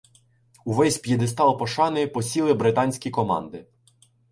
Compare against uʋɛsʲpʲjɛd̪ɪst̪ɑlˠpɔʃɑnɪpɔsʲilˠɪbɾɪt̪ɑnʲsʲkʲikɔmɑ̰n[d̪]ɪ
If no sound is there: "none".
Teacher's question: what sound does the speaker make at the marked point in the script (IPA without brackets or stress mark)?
d̪